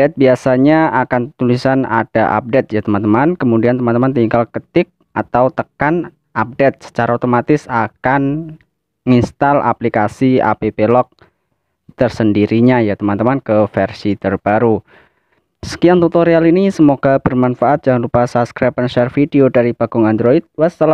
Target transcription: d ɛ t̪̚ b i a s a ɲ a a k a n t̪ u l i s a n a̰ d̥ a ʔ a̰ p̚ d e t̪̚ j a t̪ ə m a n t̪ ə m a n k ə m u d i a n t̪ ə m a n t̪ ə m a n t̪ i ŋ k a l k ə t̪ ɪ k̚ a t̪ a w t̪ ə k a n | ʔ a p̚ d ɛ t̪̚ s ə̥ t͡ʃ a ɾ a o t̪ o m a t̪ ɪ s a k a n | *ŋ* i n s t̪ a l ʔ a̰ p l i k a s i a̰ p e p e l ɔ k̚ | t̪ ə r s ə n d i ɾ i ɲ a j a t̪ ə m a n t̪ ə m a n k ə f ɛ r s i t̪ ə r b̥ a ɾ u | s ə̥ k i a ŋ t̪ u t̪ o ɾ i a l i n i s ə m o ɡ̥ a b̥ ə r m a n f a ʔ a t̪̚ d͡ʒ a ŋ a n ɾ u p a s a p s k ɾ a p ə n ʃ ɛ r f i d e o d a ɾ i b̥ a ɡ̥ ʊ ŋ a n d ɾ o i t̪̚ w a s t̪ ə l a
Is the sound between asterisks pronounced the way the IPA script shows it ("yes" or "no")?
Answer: yes